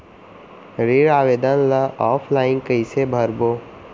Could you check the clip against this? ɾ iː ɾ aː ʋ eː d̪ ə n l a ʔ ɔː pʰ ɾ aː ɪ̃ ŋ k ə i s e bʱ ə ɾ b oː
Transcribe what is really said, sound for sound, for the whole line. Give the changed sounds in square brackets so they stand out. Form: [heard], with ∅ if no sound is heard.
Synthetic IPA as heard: ɾ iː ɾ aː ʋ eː d̪ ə n l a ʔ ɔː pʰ [l] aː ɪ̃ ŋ k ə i s e bʱ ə ɾ b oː